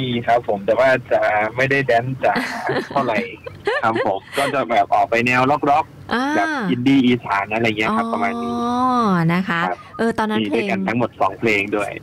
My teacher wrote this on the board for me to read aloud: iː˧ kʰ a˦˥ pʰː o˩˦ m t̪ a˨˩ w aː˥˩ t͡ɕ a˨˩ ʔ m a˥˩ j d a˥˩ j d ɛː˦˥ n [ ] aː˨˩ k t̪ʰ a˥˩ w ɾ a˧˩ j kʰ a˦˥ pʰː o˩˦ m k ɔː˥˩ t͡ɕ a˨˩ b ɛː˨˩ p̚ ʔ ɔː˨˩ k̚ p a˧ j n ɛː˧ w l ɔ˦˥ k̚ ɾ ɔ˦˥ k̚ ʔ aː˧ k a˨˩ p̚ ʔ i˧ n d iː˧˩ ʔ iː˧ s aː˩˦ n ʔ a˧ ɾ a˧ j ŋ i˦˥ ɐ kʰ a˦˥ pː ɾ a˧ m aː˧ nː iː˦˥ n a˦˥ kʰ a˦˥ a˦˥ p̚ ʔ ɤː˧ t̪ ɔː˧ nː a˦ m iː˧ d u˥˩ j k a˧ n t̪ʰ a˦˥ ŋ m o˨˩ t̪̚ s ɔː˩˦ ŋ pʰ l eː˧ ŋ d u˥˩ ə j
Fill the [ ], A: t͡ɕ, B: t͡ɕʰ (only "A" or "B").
A